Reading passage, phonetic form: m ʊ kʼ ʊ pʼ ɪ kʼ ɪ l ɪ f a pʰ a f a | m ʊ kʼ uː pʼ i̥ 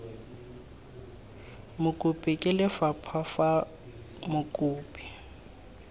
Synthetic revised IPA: m ʊ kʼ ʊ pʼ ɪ kʼ ɪ l ɪ f a pʰ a f a | m ʊ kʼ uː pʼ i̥